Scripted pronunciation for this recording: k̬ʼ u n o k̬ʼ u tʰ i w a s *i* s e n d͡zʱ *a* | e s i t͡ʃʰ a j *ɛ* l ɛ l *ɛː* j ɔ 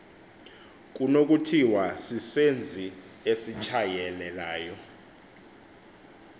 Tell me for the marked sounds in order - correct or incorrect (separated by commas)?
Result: correct, incorrect, correct, incorrect